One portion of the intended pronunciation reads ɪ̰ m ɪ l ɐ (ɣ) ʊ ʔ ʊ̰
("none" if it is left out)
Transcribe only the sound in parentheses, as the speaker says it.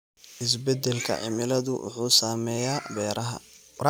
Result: ð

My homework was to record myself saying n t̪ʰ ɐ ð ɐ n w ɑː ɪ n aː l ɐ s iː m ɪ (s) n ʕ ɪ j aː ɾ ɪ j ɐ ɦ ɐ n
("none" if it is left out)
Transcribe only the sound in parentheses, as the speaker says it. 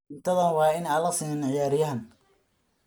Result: none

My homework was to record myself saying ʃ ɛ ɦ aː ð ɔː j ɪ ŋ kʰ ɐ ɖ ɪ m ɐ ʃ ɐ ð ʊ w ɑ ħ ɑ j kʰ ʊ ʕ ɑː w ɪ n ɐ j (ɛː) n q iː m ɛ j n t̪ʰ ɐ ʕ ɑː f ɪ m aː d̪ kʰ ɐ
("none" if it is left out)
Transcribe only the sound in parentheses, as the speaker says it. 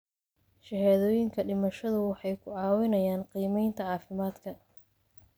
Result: aː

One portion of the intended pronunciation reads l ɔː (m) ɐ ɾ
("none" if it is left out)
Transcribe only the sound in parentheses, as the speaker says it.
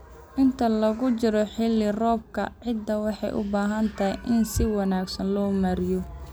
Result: m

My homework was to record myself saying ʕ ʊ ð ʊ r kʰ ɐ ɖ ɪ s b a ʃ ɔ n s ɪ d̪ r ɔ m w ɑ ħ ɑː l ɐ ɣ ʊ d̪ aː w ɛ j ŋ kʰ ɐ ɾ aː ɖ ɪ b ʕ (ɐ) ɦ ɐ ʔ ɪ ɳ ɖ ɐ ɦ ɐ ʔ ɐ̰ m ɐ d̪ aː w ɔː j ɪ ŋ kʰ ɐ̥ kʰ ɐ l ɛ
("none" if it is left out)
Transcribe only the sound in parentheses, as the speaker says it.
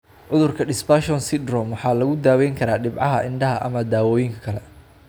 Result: ɑ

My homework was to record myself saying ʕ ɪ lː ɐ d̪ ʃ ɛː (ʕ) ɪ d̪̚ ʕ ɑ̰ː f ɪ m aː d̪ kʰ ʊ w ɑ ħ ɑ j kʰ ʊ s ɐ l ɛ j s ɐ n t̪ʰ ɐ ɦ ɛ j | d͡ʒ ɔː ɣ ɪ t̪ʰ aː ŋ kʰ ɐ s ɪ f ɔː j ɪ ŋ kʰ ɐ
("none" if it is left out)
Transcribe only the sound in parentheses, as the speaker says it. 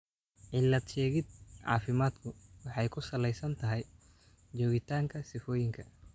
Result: ɣ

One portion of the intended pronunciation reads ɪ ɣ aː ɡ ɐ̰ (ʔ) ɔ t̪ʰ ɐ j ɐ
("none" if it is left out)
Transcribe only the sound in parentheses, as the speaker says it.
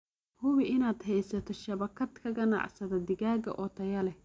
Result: ʔ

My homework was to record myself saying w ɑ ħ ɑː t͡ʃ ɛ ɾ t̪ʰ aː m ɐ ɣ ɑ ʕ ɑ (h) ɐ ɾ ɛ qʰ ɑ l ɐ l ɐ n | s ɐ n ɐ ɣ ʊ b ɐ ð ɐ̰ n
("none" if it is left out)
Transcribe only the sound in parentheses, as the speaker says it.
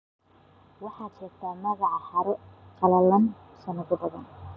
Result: h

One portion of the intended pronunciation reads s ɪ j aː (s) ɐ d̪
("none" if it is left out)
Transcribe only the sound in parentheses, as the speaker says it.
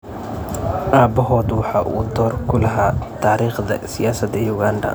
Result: s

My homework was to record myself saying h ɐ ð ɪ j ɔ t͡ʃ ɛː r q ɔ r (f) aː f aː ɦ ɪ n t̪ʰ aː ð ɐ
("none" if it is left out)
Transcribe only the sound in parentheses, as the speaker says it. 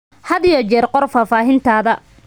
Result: f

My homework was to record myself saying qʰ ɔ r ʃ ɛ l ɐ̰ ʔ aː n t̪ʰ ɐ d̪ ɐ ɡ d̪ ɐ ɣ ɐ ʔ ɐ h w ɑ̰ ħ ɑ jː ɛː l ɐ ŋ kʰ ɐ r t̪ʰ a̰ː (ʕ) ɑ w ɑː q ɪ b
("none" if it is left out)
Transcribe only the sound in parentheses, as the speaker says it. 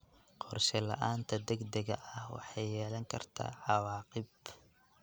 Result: ʕ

